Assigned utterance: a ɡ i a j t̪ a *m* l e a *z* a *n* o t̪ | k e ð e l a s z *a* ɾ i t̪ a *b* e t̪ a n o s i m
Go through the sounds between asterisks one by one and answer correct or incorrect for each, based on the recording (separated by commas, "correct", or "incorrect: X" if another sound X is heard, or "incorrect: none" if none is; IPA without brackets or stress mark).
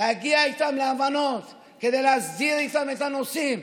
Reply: correct, incorrect: v, correct, incorrect: i, incorrect: m